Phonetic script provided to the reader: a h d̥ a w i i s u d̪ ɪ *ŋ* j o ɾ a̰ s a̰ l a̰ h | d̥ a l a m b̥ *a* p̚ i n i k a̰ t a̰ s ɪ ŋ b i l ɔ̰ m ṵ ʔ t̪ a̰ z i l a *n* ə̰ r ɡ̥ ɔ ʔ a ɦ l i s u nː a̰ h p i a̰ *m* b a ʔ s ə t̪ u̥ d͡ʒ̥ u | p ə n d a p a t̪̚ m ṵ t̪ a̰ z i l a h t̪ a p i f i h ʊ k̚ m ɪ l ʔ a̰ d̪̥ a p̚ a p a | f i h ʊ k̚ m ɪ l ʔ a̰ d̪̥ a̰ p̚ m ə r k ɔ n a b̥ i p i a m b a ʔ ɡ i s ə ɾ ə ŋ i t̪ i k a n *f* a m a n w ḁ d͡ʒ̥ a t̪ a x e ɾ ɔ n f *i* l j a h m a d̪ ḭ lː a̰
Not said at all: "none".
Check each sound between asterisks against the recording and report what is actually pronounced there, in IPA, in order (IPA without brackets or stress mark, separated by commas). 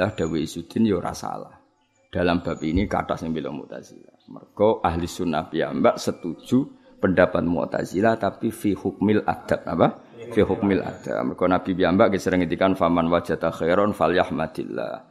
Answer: n, a, m, m, f, a